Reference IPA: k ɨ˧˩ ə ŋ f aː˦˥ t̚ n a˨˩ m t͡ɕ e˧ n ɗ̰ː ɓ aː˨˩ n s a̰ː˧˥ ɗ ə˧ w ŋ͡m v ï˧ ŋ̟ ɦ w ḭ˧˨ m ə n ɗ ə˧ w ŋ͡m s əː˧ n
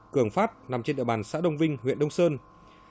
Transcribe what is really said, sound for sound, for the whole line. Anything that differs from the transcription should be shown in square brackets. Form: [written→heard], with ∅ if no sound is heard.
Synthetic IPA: k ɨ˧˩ ə ŋ f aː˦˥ t̚ n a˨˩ m t͡ɕ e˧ n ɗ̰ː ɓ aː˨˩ n s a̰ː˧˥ ɗ ə˧ w ŋ͡m v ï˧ ŋ̟ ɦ w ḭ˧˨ [m→∅] ə n ɗ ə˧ w ŋ͡m s əː˧ n